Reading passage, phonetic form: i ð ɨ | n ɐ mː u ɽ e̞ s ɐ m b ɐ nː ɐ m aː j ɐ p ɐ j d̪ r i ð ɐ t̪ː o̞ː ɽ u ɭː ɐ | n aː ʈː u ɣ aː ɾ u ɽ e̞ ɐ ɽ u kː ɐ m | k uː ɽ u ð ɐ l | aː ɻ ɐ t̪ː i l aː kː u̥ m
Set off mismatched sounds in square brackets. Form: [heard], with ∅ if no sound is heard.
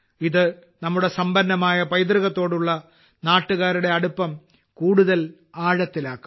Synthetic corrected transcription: i ð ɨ | n ɐ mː u ɽ e̞ s ɐ m b ɐ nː ɐ m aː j ɐ p ɐ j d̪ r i [ɣ] ɐ t̪ː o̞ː ɽ u ɭː ɐ | n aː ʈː u ɣ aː ɾ u ɽ e̞ ɐ ɽ u [pː] ɐ m | k uː ɽ u ð ɐ l | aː ɻ ɐ t̪ː i l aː kː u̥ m